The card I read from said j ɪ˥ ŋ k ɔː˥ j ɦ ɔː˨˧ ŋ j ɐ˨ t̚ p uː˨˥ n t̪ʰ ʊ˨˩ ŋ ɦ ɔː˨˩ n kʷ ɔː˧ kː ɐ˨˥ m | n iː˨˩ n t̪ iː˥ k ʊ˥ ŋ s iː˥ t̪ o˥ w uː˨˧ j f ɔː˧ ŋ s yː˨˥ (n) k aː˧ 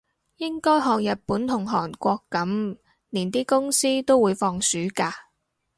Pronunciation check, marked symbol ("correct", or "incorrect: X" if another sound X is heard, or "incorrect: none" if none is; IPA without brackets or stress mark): incorrect: none